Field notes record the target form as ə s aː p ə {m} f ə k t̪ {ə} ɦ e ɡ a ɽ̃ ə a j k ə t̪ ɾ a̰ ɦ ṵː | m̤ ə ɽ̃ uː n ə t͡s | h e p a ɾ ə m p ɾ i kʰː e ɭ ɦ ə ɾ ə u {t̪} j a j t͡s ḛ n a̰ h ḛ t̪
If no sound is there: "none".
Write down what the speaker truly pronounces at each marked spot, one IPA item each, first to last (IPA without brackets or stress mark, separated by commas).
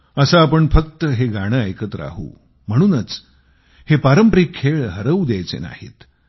ɳ, ə, d̪